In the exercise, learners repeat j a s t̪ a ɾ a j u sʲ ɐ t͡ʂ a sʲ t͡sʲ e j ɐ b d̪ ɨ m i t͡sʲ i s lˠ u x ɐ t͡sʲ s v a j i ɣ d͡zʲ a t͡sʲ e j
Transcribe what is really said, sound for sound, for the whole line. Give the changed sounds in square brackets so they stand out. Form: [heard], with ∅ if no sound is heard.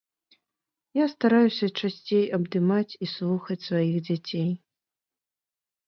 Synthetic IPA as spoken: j a s t̪ a ɾ a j u sʲ ɐ t͡ʂ a sʲ t͡sʲ e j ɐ b d̪ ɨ m [a] t͡sʲ i s lˠ u x ɐ t͡sʲ s v a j i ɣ d͡zʲ a t͡sʲ e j